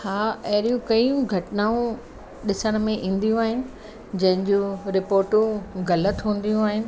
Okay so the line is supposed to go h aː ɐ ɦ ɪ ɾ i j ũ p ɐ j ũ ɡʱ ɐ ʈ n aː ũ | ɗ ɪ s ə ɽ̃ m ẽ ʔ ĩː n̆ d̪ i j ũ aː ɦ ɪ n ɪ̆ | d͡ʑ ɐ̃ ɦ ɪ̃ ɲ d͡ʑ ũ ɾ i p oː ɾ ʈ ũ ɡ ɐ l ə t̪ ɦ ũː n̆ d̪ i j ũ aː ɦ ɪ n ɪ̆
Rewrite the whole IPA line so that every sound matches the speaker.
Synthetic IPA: h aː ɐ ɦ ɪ ɾ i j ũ k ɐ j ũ ɡʱ ɐ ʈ n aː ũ | ɗ ɪ s ə ɽ̃ m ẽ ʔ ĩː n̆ d̪ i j ũ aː ɦ ɪ n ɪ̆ | d͡ʑ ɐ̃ ɦ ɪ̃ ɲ d͡ʑ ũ ɾ ɪ p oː ɾ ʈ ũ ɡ ɐ l ə t̪ ɦ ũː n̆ d̪ i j ũ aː ɦ ɪ n ɪ̆